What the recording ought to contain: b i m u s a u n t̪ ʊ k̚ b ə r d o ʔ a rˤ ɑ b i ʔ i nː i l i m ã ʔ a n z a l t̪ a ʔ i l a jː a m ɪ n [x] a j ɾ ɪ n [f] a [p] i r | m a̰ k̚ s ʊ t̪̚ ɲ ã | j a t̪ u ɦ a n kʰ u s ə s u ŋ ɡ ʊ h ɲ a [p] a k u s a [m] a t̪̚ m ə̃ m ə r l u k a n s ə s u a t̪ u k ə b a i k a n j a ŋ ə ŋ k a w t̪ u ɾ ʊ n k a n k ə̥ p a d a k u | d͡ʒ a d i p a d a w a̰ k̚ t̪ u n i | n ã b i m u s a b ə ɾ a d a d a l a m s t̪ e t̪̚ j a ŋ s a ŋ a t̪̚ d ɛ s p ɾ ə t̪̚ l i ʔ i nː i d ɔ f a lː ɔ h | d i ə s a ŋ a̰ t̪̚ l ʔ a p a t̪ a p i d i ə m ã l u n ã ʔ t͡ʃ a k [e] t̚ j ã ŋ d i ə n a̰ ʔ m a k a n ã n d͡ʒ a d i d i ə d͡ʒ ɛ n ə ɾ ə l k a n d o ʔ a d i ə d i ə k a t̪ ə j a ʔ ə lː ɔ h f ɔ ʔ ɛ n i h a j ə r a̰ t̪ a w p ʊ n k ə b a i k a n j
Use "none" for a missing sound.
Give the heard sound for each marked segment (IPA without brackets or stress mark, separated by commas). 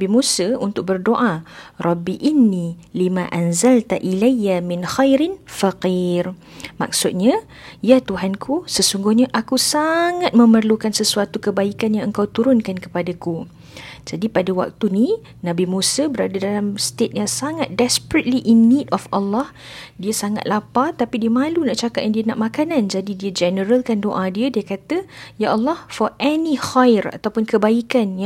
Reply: x, f, q, ʔ, ŋ, a